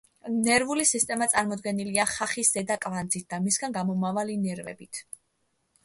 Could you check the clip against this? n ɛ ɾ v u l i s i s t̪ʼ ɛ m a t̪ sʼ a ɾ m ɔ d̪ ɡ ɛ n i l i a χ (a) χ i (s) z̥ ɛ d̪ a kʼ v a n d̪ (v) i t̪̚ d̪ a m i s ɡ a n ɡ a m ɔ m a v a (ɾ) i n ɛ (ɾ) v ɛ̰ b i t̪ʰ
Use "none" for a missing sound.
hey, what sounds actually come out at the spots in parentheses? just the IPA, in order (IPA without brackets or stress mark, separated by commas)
a, s, z, l, ɾ